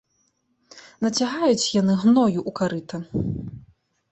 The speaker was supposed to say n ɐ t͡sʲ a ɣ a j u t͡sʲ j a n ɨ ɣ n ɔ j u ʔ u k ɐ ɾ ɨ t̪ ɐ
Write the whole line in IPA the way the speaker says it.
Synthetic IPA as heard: n ɐ t͡sʲ a ɣ a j u t͡sʲ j a n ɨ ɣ n ɔ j u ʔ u k a ɾ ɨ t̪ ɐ